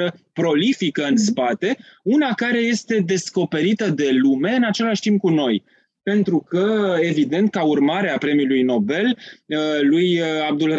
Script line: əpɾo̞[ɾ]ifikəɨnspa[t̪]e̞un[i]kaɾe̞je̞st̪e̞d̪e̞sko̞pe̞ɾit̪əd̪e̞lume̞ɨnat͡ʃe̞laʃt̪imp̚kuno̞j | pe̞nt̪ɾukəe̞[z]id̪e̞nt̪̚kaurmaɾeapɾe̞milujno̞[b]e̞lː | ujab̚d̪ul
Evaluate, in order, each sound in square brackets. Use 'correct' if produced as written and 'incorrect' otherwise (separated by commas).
incorrect, correct, incorrect, incorrect, correct